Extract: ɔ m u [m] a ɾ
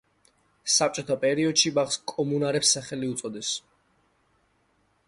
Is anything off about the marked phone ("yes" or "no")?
yes